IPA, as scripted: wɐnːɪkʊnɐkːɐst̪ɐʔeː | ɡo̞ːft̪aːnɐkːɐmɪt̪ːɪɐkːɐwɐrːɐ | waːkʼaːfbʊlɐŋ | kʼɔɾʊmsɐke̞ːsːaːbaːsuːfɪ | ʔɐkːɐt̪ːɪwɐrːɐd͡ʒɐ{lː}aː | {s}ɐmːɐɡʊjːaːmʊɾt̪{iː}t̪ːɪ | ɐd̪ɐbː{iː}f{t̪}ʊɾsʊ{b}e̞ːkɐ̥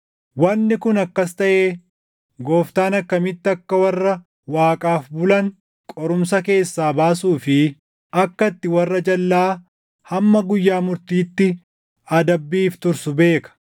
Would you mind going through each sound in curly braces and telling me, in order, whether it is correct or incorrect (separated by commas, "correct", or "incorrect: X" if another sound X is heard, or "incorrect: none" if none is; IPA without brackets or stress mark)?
correct, incorrect: h, correct, correct, correct, correct